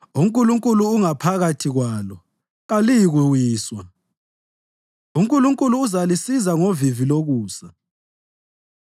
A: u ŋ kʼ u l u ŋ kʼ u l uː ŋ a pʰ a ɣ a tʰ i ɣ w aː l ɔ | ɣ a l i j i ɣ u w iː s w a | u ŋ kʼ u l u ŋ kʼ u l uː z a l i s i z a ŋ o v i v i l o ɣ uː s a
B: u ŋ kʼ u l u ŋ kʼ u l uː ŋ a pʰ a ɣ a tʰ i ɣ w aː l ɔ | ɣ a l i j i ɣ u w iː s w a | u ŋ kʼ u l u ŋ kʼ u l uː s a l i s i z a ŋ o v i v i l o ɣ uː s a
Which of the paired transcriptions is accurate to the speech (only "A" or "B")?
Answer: A